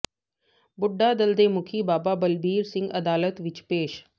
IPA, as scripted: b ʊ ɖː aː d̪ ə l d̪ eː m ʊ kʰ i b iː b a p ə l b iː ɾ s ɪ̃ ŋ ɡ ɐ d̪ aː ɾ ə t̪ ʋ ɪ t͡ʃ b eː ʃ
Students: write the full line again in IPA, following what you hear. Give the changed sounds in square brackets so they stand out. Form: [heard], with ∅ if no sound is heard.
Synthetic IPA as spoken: b ʊ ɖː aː d̪ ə l d̪ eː m ʊ kʰ i b [aː] b a [b] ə l b iː ɾ s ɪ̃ ŋ ɡ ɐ d̪ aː [l] ə t̪ ʋ ɪ t͡ʃ [p] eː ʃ